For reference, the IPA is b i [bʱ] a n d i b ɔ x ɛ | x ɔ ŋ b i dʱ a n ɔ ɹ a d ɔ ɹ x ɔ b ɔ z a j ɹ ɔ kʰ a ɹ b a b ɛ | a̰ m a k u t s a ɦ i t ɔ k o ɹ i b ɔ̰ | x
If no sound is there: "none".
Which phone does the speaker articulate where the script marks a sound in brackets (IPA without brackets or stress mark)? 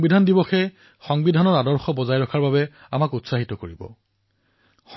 dʱ